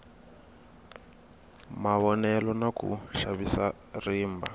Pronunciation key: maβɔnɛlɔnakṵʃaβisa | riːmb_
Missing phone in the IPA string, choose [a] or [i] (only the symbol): a